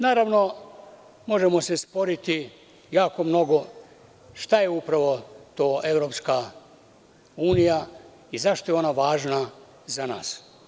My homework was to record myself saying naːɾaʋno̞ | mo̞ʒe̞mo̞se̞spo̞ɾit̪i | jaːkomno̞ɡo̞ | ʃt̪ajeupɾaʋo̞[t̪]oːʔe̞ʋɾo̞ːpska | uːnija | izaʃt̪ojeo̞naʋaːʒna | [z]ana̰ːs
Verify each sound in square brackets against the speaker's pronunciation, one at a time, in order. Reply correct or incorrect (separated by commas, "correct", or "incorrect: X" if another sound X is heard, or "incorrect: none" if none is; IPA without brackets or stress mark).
correct, correct